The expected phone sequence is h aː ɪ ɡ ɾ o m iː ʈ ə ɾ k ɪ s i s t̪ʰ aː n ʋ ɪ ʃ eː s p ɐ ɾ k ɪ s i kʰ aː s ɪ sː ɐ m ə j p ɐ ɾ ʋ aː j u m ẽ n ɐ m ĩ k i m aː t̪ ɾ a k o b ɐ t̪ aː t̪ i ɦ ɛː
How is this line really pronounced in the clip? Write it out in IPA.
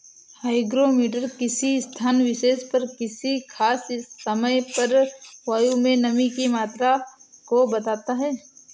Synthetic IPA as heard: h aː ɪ ɡ ɾ o m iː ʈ ə ɾ k ɪ s i s t̪ʰ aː n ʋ ɪ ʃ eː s p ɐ ɾ k ɪ s i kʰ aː s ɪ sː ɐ m ə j p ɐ ɾ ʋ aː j u m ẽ n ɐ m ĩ k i m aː t̪ ɾ a k o b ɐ t̪ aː t̪ a ɦ ɛː